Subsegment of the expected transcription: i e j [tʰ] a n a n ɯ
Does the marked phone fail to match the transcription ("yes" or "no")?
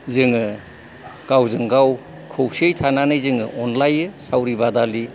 no